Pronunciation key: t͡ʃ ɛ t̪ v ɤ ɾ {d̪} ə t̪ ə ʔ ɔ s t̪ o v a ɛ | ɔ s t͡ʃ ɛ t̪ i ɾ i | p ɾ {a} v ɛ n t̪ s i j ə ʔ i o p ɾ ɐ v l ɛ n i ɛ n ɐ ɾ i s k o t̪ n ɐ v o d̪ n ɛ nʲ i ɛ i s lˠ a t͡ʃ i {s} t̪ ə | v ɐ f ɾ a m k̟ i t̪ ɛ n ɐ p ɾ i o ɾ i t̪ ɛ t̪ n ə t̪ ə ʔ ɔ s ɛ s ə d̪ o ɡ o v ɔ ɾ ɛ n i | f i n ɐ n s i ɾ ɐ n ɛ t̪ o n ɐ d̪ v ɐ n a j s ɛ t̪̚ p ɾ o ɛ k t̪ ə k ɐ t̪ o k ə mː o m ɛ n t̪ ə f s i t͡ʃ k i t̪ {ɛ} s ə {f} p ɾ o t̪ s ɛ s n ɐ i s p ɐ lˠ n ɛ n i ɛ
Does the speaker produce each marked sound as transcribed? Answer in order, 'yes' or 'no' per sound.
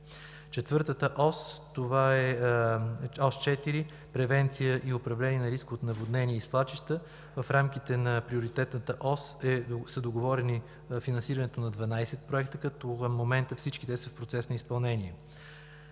no, no, no, yes, yes

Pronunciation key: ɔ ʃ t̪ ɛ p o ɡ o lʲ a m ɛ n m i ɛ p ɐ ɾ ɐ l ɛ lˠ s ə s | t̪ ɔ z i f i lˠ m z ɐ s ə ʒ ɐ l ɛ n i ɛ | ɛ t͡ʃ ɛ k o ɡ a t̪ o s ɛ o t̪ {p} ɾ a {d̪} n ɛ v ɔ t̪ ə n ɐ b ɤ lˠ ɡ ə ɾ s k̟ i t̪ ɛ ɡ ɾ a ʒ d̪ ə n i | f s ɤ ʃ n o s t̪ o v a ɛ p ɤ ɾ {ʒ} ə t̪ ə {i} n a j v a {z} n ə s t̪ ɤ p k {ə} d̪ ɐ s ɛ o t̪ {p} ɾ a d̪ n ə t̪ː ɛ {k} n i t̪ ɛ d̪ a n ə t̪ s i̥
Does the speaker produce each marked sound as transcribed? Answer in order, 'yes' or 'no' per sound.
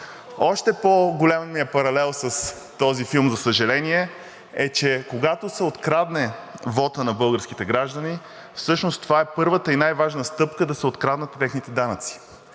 no, yes, no, yes, no, yes, no, no

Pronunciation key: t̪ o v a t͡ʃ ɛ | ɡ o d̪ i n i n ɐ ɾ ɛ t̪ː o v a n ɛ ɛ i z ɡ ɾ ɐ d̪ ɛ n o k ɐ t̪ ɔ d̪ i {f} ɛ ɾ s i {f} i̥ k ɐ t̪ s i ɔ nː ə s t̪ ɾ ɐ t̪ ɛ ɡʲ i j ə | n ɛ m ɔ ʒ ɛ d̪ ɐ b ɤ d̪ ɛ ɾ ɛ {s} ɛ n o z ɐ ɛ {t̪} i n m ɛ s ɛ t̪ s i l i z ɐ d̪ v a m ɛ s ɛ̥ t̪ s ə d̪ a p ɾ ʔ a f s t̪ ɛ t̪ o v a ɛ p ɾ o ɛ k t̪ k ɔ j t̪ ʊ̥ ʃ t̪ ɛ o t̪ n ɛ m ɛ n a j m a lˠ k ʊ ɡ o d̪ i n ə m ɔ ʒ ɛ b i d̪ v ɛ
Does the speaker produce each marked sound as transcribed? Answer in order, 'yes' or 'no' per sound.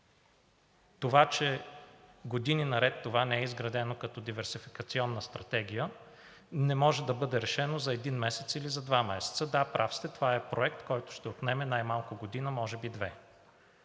no, yes, no, no

